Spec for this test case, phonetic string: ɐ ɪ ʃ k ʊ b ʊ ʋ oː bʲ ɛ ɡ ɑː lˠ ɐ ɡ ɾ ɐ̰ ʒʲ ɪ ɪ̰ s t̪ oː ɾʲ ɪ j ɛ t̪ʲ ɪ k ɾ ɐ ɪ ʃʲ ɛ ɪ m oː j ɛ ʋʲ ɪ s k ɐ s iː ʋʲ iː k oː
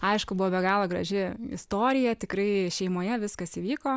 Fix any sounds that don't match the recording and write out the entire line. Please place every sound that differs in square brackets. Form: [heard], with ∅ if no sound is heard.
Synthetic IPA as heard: ɐ ɪ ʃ k ʊ b ʊ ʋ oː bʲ ɛ ɡ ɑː lˠ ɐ ɡ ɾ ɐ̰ ʒʲ ɪ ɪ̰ s t̪ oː ɾʲ ɪ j ɛ t̪ʲ ɪ k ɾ ɐ ɪ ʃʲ ɛ ɪ m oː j ɛ ʋʲ ɪ s k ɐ s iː ʋʲ iː k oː